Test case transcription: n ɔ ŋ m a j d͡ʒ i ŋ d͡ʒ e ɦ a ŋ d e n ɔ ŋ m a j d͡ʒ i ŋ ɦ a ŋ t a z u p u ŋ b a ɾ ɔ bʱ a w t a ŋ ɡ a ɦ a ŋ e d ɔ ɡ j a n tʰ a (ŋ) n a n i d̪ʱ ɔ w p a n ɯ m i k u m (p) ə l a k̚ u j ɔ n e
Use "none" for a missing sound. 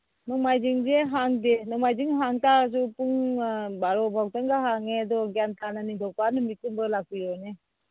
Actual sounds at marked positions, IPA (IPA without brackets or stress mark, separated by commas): none, b